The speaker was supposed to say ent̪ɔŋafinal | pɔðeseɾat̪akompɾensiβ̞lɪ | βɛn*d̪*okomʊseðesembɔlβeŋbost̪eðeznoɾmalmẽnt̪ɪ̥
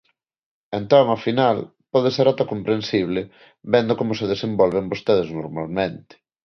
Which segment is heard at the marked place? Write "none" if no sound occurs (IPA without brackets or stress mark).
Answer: d̪